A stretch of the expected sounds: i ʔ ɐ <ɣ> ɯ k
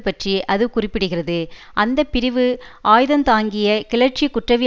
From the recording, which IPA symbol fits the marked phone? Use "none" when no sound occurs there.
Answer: ð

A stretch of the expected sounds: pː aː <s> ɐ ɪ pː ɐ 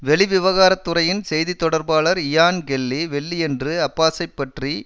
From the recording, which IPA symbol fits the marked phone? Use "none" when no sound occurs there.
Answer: s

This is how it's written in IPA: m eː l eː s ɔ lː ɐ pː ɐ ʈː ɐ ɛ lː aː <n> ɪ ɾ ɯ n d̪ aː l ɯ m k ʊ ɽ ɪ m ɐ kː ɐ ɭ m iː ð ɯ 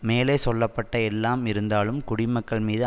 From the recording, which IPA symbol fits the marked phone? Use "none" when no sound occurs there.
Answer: m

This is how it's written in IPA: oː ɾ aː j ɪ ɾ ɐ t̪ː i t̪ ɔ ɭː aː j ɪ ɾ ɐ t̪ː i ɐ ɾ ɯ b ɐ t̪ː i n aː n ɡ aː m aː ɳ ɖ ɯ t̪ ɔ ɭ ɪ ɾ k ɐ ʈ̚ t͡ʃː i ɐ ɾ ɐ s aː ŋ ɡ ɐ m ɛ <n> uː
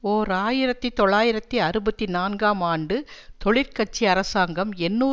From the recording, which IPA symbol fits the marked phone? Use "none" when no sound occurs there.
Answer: nː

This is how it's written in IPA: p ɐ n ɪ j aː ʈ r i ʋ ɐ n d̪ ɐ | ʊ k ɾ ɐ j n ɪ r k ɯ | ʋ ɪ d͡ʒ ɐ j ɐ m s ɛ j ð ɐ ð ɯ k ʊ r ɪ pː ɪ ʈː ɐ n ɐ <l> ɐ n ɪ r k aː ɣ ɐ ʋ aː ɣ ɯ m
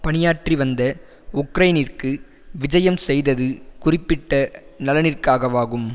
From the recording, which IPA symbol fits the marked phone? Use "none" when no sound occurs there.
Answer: l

